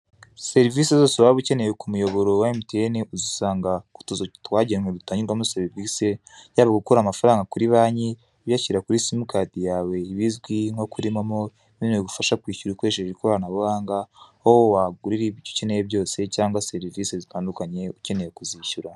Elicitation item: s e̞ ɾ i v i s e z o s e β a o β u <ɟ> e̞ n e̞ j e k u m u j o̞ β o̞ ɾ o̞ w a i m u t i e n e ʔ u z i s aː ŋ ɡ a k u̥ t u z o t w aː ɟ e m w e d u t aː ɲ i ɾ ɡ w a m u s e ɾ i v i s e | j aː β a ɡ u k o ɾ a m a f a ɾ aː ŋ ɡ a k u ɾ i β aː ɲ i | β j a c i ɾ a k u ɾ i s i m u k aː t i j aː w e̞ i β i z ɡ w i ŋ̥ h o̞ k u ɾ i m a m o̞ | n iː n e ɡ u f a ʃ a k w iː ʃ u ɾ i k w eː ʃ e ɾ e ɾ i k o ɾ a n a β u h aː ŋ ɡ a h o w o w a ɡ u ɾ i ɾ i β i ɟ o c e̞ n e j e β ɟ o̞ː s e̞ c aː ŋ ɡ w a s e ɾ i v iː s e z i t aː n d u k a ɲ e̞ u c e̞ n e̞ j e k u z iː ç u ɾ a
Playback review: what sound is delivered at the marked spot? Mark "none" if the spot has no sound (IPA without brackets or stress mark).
c